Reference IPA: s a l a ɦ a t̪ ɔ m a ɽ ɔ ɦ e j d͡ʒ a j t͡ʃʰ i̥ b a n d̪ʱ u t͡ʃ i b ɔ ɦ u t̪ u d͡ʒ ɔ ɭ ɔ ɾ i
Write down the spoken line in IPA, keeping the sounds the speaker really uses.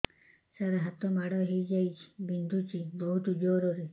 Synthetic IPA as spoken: s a ɾ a ɦ a t̪ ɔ m a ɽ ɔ ɦ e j d͡ʒ a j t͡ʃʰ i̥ b i n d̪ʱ u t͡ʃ i b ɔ ɦ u t̪ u d͡ʒ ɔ ɾ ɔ ɾ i